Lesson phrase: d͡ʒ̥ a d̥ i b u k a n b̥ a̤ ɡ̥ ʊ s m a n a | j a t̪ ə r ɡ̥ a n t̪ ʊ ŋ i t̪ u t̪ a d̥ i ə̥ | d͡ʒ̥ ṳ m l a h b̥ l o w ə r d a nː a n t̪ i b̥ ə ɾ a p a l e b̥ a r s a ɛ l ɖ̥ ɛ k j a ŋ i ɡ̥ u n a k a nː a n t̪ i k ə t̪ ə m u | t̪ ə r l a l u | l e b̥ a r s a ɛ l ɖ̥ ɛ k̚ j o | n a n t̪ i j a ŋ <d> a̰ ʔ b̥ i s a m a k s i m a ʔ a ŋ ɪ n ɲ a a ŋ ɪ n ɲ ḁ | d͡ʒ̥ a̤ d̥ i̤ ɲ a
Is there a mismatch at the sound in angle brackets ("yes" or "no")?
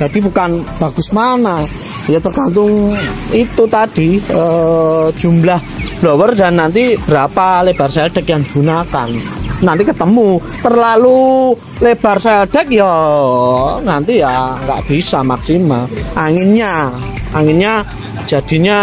yes